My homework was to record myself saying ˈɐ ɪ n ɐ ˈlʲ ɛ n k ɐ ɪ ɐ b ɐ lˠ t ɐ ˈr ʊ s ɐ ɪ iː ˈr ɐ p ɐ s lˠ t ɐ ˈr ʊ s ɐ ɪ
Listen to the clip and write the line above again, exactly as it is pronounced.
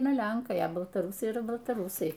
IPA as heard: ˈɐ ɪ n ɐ ˈlʲ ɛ ŋ k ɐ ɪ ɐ b ɐ lˠ t ɐ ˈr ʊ s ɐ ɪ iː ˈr ɐ b ɐ lˠ t ɐ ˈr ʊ s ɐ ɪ